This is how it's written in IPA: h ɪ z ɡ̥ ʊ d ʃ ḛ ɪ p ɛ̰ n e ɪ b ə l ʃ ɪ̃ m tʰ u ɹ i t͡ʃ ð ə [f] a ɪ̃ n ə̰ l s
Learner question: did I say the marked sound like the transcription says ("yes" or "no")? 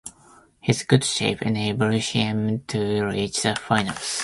yes